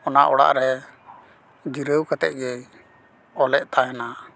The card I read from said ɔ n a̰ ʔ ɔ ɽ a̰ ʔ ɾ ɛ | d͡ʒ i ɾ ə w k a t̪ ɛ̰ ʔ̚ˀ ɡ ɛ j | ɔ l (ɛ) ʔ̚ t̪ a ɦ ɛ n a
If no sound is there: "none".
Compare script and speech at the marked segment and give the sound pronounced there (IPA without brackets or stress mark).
ɛ